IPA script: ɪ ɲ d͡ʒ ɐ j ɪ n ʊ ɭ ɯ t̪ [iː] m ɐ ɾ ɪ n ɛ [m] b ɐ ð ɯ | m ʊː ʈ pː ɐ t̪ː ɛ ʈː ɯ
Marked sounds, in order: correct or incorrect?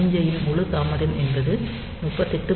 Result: incorrect: aː, incorrect: n

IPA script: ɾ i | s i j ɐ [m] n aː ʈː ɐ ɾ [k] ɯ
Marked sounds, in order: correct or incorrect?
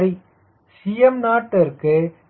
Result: correct, correct

